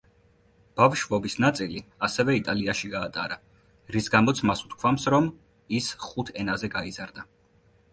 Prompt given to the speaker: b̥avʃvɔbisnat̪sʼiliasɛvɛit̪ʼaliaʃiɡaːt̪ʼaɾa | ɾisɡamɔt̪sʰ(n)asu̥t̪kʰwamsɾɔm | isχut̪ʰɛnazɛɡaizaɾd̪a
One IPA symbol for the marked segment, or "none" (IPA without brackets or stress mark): m